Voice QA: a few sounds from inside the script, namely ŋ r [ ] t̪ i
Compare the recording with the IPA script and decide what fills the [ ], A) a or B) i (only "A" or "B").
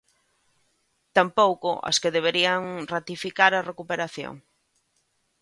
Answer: A